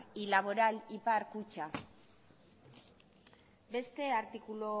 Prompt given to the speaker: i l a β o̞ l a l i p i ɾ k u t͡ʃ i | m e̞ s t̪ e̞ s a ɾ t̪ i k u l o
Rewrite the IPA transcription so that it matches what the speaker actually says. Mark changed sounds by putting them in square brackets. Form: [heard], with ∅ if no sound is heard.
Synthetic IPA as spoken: i l a β o̞ [ɾ] a l i p [a] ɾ k u t͡ʃ [a] | [b] e̞ s t̪ e̞ [∅] a ɾ t̪ i k u l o